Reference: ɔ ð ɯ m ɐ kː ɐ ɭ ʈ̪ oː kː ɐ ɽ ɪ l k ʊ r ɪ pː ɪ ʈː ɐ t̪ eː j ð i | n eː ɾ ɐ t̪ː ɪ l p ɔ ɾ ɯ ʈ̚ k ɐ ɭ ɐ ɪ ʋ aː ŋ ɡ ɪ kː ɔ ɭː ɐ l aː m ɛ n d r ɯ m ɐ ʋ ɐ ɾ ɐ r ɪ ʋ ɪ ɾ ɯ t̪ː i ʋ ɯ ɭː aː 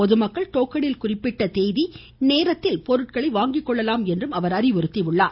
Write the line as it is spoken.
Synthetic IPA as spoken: ɔ ð ɯ m ɐ kː ɐ ɭ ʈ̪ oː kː ɐ ɽ ɪ l k ʊ r ɪ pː ɪ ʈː ɐ t̪ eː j ð i | n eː ɾ ɐ t̪ː ɪ l p ɔ ɾ ɯ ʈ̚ k ɐ ɭ ɐ ɪ ʋ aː ŋ ɡ ɪ kː ɔ ɭː ɐ l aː m ɛ n d r ɯ m ɐ ʋ ɐ ɾ ɐ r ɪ ʋ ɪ ɾ ɯ t̪ː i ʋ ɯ ɭː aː

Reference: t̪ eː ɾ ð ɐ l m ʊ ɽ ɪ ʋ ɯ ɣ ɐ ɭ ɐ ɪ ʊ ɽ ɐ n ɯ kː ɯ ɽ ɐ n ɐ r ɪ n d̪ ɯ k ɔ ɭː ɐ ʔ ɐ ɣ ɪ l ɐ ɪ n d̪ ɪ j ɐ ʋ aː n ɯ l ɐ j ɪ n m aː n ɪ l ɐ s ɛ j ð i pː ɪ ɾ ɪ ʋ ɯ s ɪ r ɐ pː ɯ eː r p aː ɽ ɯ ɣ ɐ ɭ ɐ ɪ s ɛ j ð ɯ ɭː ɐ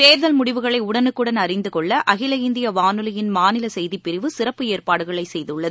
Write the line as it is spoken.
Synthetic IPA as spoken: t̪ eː ɾ ð ɐ l m ʊ ɽ ɪ ʋ ɯ ɣ ɐ ɭ ɐ ɪ ʊ ɽ ɐ n ɯ kː ɯ ɽ ɐ n ɐ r ɪ n d̪ ɯ k ɔ ɭː ɐ ʔ ɐ ɣ ɪ l ɐ ɪ n d̪ ɪ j ɐ ʋ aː n ɯ l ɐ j ɪ n m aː n ɪ l ɐ s ɛ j ð i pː ɪ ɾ ɪ ʋ ɯ s ɪ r ɐ pː ɯ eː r p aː ɽ ɯ ɣ ɐ ɭ ɐ ɪ s ɛ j ð ɯ ɭː ɐ

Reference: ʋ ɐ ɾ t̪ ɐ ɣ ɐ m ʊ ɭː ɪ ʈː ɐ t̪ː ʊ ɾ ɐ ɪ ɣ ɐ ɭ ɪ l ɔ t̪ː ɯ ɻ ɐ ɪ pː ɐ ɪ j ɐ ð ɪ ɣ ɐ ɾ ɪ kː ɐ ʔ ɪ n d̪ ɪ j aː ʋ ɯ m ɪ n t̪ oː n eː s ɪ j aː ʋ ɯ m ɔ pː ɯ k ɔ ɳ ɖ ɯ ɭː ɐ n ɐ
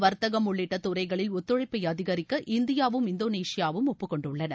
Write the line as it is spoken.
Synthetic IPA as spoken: ʋ ɐ ɾ t̪ ɐ ɣ ɐ m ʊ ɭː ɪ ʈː ɐ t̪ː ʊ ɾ ɐ ɪ ɣ ɐ ɭ ɪ l ɔ t̪ː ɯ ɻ ɐ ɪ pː ɐ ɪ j ɐ ð ɪ ɣ ɐ ɾ ɪ kː ɐ ʔ ɪ n d̪ ɪ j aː ʋ ɯ m ɪ n d̪ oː n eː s ɪ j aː ʋ ɯ m ɔ pː ɯ k ɔ ɳ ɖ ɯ ɭː ɐ n ɐ

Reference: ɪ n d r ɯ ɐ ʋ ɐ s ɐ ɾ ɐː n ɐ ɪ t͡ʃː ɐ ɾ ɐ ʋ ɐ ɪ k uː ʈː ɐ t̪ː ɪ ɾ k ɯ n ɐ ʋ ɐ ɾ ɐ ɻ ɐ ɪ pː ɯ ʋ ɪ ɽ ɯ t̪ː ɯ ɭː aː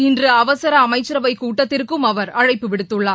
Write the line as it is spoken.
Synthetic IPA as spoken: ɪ n d r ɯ ɐ ʋ ɐ s ɐ ɾ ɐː m ɐ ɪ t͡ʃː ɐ ɾ ɐ ʋ ɐ ɪ k uː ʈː ɐ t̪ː ɪ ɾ k ɯ m ɐ ʋ ɐ ɾ ɐ ɻ ɐ ɪ pː ɯ ʋ ɪ ɽ ɯ t̪ː ɯ ɭː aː

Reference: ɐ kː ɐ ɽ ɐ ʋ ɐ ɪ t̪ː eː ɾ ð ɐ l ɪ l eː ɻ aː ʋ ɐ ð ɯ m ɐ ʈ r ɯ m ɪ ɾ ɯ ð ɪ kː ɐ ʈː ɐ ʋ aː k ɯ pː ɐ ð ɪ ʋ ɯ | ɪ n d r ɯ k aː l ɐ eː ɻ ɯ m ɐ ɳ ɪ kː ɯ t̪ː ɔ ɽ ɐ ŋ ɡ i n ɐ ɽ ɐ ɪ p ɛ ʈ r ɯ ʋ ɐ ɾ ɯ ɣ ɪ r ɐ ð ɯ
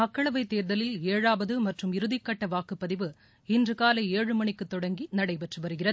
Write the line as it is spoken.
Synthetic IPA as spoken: ɐ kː ɐ ɭ ɐ ʋ ɐ ɪ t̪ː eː ɾ ð ɐ l ɪ l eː ɻ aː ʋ ɐ ð ɯ m ɐ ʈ r ɯ m ɪ ɾ ɯ ð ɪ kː ɐ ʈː ɐ ʋ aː k ɯ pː ɐ ð ɪ ʋ ɯ | ɪ n d r ɯ k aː l ɐ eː ɻ ɯ m ɐ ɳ ɪ kː ɯ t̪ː ɔ ɽ ɐ ŋ ɡ i n ɐ ɽ ɐ ɪ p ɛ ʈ r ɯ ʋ ɐ ɾ ɯ ɣ ɪ r ɐ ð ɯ

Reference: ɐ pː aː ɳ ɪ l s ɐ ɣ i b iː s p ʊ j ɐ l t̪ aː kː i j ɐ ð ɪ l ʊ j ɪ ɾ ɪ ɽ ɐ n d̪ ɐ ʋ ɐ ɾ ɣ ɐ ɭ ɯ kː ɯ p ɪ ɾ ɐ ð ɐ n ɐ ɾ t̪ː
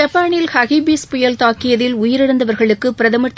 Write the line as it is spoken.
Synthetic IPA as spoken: ɐ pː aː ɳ ɪ l h ɐ ɣ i b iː s p ʊ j ɐ l t̪ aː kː ɪ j ɐ ð ɪ l ʊ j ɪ ɾ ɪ ɽ ɐ n d̪ ɐ ʋ ɐ ɾ ɣ ɐ ɭ ɯ kː ɯ p ɪ ɾ ɐ ð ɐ m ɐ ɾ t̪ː

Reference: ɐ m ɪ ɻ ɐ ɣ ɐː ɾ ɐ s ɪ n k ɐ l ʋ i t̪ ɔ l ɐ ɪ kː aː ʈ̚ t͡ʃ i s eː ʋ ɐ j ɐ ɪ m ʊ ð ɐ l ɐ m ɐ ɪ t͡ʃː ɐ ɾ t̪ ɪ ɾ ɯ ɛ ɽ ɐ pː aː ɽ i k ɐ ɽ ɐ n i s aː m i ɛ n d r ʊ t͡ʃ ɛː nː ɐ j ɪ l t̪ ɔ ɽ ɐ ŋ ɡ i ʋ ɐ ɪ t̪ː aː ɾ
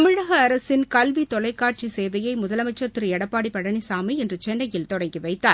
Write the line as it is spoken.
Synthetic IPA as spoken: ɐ m ɪ ɻ ɐ ɣ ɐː ɾ ɐ s ɪ n k ɐ l ʋ i t̪ ɔ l ɐ ɪ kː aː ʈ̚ t͡ʃ i s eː ʋ ɐ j ɐ ɪ m ʊ ð ɐ l ɐ m ɐ ɪ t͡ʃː ɐ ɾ t̪ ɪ ɾ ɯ ɛ ɽ ɐ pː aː ɽ i p ɐ ɽ ɐ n i s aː m i ɛ n d r ɯ t͡ʃ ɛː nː ɐ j ɪ l t̪ ɔ ɽ ɐ ŋ ɡ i ʋ ɐ ɪ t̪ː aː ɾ

